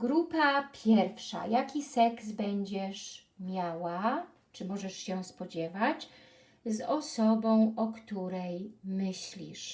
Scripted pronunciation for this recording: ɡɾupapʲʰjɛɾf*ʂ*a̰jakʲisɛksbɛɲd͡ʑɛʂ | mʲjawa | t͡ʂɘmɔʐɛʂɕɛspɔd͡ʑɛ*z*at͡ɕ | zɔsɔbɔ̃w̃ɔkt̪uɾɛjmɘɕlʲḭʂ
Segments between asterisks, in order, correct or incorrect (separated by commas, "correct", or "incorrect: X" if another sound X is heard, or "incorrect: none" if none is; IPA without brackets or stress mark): correct, incorrect: v